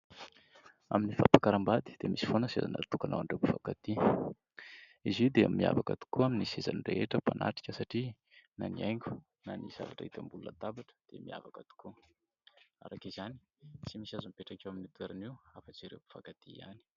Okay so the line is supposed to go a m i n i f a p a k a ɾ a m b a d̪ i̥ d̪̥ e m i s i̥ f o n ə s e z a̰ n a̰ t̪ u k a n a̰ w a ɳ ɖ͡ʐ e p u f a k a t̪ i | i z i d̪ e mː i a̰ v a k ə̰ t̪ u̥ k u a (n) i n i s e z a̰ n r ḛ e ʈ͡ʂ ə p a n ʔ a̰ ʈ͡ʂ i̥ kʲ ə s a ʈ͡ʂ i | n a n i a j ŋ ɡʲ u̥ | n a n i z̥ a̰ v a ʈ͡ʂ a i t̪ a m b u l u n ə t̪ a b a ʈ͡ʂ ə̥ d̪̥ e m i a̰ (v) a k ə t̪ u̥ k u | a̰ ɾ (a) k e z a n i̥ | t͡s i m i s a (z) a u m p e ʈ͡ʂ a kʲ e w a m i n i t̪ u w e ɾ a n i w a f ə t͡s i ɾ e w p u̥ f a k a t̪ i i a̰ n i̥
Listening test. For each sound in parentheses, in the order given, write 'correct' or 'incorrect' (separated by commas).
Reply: incorrect, correct, correct, correct